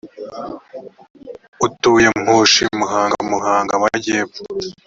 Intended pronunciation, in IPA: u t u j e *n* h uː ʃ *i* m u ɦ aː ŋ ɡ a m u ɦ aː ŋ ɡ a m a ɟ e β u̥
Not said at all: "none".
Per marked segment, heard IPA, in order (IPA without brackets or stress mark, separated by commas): m, i